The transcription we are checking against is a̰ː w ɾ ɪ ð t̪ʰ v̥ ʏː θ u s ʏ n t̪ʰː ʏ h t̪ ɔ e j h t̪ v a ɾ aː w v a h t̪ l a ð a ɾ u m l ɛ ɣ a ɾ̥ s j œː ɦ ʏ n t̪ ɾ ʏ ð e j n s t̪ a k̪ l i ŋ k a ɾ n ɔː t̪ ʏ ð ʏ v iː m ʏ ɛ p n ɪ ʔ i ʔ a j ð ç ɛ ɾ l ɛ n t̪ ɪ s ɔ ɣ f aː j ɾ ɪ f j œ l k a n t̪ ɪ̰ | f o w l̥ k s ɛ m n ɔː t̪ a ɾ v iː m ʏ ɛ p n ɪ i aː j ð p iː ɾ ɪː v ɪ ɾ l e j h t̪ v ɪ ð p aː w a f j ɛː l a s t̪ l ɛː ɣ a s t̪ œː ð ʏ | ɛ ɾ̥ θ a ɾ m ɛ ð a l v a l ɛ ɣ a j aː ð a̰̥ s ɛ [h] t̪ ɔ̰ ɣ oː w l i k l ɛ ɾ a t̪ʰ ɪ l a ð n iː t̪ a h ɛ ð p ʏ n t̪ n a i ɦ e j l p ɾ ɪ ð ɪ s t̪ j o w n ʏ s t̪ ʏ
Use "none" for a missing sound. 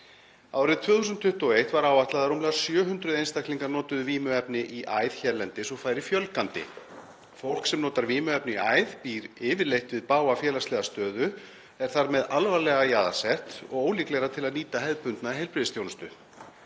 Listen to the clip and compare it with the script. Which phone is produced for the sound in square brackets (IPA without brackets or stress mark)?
h